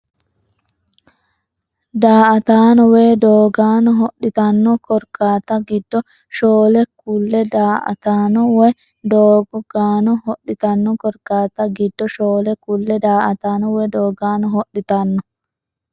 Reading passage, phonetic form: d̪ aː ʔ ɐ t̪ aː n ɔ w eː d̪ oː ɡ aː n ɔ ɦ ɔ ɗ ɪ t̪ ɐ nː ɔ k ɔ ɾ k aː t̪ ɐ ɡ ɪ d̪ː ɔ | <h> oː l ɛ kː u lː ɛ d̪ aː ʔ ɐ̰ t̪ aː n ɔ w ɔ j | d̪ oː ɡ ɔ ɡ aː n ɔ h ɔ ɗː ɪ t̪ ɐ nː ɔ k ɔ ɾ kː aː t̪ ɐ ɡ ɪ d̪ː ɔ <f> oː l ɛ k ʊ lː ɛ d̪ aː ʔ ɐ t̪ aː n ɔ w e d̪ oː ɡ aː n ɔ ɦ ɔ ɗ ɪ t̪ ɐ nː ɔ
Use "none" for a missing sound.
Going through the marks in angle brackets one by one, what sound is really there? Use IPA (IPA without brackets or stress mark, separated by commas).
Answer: ʃ, ʃ